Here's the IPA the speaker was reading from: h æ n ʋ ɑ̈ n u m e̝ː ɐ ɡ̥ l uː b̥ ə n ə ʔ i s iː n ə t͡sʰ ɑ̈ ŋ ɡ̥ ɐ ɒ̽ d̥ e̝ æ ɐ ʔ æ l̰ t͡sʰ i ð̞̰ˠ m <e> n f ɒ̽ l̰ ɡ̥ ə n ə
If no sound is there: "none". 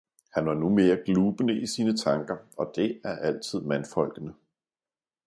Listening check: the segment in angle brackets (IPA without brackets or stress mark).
æ